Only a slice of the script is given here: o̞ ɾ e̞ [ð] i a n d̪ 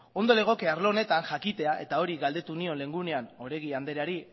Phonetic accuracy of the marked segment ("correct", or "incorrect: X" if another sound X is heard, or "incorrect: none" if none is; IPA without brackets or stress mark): incorrect: ɣ